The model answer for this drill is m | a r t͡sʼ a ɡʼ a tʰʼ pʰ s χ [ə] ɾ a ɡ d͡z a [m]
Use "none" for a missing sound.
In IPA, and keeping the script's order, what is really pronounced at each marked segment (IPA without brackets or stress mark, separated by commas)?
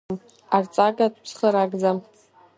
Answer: ə, m